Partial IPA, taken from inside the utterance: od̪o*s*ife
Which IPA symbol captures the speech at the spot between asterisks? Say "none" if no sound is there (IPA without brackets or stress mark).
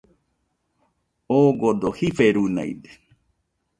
h